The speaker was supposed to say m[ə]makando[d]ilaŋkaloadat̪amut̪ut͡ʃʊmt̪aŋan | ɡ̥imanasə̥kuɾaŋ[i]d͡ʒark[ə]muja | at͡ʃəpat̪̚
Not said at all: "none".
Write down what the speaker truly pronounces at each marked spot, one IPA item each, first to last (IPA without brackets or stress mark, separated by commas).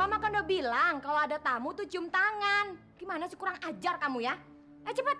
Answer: a, b, a, a